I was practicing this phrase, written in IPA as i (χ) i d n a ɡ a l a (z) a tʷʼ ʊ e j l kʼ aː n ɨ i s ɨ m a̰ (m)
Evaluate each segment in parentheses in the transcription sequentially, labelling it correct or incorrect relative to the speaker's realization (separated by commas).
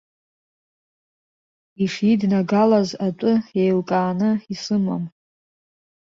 incorrect, correct, correct